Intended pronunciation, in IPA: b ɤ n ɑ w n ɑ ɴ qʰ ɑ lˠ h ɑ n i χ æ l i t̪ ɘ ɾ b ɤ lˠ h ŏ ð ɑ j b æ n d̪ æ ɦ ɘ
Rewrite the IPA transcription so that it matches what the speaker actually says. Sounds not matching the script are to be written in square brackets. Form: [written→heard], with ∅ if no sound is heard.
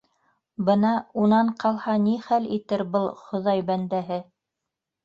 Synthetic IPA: b ɤ n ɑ [w→u] n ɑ ɴ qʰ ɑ lˠ h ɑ n i χ æ l i t̪ ɘ ɾ b ɤ lˠ [h→χ] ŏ ð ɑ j b æ n d̪ æ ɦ ɘ